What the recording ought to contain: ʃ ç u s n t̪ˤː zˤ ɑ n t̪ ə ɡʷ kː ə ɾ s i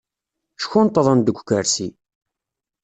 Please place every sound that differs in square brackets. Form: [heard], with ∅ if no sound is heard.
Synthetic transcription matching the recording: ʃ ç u [∅] n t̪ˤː [ðˤ] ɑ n [d̪] ə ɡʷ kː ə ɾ s i